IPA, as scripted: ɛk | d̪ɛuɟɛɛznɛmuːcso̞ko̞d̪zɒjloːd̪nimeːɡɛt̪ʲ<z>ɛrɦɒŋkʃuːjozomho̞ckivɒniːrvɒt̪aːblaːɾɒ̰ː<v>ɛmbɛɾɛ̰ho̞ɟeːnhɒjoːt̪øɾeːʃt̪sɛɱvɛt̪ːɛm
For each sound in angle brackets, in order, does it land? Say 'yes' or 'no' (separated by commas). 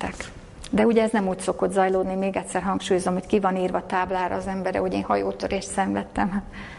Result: no, no